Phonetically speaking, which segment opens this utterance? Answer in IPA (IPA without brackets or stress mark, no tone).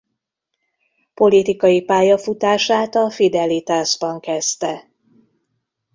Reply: p